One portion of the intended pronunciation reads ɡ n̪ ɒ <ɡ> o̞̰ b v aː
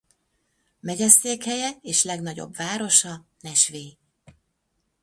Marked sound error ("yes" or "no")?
yes